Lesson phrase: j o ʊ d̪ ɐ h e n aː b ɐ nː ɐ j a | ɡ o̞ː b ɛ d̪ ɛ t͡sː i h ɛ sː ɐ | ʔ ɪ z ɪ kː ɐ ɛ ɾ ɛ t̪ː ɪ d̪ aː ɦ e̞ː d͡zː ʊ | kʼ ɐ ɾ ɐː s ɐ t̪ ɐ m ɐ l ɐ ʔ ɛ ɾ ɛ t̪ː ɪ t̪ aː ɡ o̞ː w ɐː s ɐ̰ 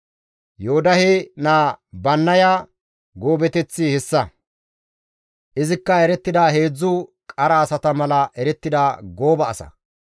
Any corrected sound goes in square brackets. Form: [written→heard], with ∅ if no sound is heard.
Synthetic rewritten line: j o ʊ d̪ ɐ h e n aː b ɐ nː ɐ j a | ɡ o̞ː b ɛ [d̪→t̪] ɛ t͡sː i h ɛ sː ɐ | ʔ ɪ z ɪ kː ɐ ɛ ɾ ɛ t̪ː ɪ d̪ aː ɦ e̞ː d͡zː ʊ | kʼ ɐ ɾ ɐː s ɐ t̪ ɐ m ɐ l ɐ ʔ ɛ ɾ ɛ t̪ː ɪ [t̪→d̪] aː ɡ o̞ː [w→b] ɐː s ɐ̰